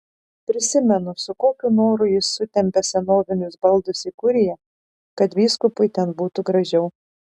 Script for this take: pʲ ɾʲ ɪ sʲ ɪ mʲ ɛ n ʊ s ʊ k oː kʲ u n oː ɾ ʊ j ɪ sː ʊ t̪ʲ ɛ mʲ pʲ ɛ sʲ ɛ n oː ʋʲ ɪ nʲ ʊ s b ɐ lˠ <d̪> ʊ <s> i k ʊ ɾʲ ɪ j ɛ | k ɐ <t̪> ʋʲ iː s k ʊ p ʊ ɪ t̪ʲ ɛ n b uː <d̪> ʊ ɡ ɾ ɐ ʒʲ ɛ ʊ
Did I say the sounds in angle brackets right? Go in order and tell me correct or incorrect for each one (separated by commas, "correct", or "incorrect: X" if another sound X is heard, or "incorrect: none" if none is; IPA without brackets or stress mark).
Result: correct, correct, correct, incorrect: t̪